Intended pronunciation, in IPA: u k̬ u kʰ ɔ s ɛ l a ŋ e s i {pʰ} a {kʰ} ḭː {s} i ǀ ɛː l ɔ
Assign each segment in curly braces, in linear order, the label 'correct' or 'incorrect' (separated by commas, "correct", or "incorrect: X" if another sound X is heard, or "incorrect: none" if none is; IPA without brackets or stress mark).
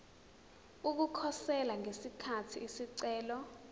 incorrect: kʰ, incorrect: tʰ, correct